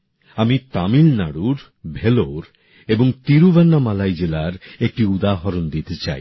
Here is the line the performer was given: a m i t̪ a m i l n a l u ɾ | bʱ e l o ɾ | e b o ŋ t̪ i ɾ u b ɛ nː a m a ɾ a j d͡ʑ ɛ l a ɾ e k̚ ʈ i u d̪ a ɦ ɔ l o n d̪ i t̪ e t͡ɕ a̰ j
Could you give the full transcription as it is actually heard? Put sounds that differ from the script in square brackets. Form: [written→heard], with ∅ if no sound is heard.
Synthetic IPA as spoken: a m i t̪ a m i l n a [l→ɽ] u ɾ | bʱ e l o ɾ | e b o ŋ t̪ i ɾ u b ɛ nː a m a [ɾ→l] a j d͡ʑ [ɛ→e] l a ɾ e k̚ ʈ i u d̪ a ɦ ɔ [l→ɾ] o n d̪ i t̪ e t͡ɕ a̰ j